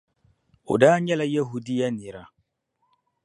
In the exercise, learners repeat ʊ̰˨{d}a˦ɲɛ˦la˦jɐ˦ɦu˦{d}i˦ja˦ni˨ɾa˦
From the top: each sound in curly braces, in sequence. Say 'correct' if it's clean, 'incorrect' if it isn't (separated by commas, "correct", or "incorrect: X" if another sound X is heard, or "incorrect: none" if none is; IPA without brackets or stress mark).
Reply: correct, correct